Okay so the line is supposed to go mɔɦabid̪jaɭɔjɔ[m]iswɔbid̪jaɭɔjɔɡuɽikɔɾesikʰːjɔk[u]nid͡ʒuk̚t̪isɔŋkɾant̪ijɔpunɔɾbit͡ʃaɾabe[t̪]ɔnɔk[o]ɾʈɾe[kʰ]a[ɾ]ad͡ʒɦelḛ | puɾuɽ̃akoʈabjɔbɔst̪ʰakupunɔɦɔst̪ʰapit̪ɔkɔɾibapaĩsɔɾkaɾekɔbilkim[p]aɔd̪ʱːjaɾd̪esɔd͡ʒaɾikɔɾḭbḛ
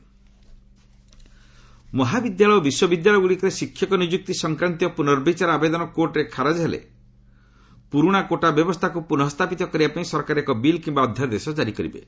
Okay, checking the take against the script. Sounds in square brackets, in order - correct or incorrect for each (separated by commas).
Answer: incorrect, incorrect, incorrect, correct, correct, correct, incorrect